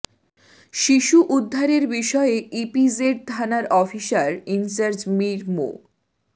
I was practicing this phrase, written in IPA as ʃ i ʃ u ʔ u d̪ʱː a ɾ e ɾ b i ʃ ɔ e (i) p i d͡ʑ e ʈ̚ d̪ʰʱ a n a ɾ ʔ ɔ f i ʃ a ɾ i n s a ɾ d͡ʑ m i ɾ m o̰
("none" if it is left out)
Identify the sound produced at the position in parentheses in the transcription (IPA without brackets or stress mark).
i